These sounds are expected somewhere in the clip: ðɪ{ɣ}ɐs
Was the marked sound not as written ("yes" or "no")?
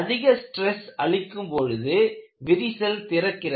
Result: no